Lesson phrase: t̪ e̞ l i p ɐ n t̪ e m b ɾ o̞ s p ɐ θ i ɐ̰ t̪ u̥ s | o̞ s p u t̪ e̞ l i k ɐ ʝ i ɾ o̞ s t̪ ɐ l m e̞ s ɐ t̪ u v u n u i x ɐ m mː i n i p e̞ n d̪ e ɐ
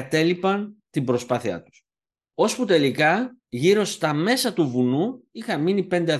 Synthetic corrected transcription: t̪ e̞ l i p ɐ n t̪ i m b ɾ o̞ s p ɐ θ i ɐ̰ t̪ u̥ s | o̞ s p u t̪ e̞ l i k ɐ ʝ i ɾ o̞ s t̪ ɐ m e̞ s ɐ t̪ u v u n u i x ɐ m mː i n i p e̞ n d̪ e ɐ